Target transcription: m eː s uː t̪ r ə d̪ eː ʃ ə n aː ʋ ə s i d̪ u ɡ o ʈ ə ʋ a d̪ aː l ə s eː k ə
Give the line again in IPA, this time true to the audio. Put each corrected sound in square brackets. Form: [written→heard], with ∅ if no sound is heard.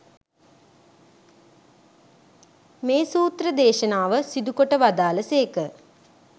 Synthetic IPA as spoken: m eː s uː t̪ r ə d̪ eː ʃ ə n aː ʋ ə s i d̪ u [ɡ→k] o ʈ ə ʋ a d̪ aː l ə s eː k ə